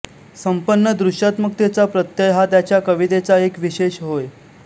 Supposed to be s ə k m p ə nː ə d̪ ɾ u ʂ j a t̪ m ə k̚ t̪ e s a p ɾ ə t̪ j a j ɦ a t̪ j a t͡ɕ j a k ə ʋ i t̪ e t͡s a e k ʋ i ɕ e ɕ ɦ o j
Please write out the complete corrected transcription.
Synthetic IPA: s ə m p ə nː ə d̪ ɾ u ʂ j a t̪ m ə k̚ t̪ e t͡s a p ɾ ə t̪ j ə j ɦ a t̪ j a t͡ɕ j a k ə ʋ i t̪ e t͡s a e k ʋ i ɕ e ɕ ɦ o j

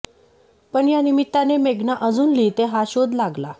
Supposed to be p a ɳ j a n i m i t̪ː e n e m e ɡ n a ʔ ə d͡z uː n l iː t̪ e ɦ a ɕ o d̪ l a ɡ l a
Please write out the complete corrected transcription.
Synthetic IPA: p ə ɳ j a n i m i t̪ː a n e m e ɡ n a ʔ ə d͡z uː n l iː t̪ e ɦ a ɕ o d̪ l a ɡ l a

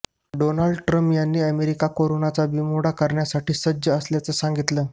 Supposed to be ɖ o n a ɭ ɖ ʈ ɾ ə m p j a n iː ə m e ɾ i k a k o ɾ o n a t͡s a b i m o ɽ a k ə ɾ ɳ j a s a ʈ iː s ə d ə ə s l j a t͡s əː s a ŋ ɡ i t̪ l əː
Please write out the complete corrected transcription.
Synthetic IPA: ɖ o n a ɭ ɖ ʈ ɾ ə m p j a nː iː ə m e ɾ i k a k o ɾ o n a t͡s a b i m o ɽ a k ə ɾ ɳ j a s a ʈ iː s ə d ə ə s l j a t͡s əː s a ŋ ɡ i t̪ l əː

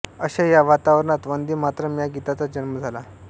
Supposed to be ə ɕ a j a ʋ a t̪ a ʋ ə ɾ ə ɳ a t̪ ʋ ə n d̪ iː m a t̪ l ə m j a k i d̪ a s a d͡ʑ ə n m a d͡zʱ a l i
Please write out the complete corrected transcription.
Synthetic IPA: ə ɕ a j a ʋ a t̪ a ʋ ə ɾ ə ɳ a t̪ ʋ ə n d̪ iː m a t̪ ɾ ə m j a ɡ i t̪ a t͡s a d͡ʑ ə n m ə d͡zʱ a l a

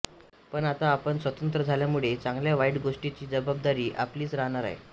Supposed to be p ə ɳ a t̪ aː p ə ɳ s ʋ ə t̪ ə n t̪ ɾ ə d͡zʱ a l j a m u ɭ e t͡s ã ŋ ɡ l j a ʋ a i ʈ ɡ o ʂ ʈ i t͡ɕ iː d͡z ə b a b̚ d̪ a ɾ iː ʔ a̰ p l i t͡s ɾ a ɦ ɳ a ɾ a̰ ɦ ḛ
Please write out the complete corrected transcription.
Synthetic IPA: p ə ɳ a t̪ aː p ə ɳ s ʋ ə t̪ ə n t̪ ɾ ə d͡zʱ a l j a m u ɭ e t͡s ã ŋ ɡ l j a ʋ a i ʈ ɡ o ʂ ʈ i t͡ɕ iː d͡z ə b a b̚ d̪ a ɾ iː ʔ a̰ p l iː t͡s ɾ a ɦ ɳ a ɾ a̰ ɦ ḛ

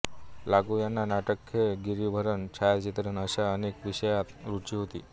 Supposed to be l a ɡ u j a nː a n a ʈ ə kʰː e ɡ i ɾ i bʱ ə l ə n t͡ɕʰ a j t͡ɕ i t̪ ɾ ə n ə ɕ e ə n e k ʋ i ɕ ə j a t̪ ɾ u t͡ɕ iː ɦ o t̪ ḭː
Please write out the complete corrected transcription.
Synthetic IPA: l a ɡ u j a nː a n a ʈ ə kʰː e ɡ i ɾ i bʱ ə ɾ ə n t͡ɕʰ a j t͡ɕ i t̪ ɾ ə n ə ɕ a ə n e k ʋ i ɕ ə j a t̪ ɾ u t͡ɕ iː ɦ o t̪ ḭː

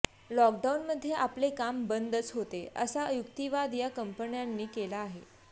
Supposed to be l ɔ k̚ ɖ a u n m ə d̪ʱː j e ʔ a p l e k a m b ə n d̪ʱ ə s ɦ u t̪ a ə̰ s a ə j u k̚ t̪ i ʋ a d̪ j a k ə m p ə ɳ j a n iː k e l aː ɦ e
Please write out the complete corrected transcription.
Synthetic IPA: l ɔ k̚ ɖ a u n m ə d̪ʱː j e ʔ a p l e k a m b ə n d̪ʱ ə t͡s ɦ o t̪ e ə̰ s a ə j u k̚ t̪ i ʋ a d̪ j a k ə m p ə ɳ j a nː iː k e l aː ɦ e

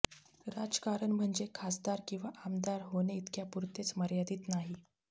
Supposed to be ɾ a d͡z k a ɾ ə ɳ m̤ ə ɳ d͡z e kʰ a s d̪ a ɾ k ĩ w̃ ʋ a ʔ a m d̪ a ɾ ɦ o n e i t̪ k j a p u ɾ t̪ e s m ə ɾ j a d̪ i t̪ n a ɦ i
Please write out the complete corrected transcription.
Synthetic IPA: ɾ a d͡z k a ɾ ə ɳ m̤ ə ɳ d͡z e kʰ a s d̪ a ɾ k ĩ w̃ ʋ a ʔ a m d̪ a ɾ ɦ o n e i t̪ k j a p u ɾ t̪ e t͡s m ə ɾ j a d̪ iː t̪ n a ɦ i

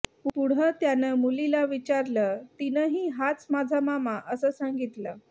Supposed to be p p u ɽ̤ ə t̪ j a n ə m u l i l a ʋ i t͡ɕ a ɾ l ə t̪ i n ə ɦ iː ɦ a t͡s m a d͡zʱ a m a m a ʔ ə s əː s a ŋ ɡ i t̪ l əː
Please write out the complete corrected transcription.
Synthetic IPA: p p u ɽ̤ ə t̪ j a n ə m u l i l a ʋ i t͡ɕ a ɾ l ə t̪ i n ə ɦ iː ɦ a t͡s m a d͡zʱ a m a m a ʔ ə s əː s a ŋ ɡ i t̪ l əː

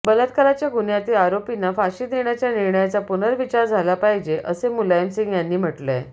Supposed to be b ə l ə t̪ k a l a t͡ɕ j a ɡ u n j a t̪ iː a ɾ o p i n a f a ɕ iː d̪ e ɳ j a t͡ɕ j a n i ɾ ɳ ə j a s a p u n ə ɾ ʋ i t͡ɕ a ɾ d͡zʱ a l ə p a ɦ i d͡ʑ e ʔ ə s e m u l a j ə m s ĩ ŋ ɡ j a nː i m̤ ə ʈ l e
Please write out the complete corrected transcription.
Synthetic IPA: b ə l ə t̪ k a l a t͡ɕ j a ɡ u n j a t̪ iː a ɾ o p i n a f a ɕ iː d̪ e ɳ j a t͡ɕ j a n i ɾ ɳ ə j a t͡s a p u n ə ɾ ʋ i t͡ɕ a ɾ d͡zʱ a l a p a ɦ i d͡ʑ e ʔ ə s e m u l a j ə m s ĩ ŋ ɡ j a nː iː m̤ ə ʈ l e

